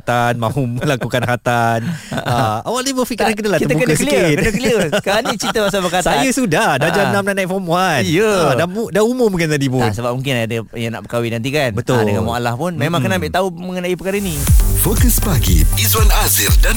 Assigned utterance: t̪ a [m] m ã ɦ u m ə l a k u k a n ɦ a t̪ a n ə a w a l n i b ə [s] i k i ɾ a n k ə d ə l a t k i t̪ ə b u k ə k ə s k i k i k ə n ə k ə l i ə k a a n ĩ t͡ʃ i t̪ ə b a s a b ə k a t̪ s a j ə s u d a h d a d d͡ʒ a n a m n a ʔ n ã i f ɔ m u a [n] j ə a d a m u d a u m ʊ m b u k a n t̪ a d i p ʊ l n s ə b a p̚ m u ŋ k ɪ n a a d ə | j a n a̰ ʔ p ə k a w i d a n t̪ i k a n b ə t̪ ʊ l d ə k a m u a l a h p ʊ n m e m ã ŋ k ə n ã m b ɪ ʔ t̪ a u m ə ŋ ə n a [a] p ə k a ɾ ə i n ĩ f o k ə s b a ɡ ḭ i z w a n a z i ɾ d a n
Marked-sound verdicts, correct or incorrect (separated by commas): incorrect, incorrect, correct, incorrect